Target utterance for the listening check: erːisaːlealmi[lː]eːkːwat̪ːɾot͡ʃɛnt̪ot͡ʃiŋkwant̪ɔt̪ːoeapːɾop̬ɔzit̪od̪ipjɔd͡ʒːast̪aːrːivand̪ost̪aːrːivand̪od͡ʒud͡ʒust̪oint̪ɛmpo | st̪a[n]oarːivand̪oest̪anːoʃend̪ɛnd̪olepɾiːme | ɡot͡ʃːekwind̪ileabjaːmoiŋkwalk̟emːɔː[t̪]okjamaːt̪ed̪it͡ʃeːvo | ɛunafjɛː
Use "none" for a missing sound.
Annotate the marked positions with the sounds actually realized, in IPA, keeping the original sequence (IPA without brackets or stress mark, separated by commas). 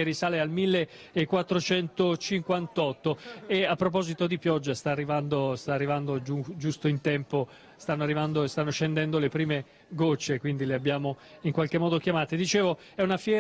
lː, nː, d̪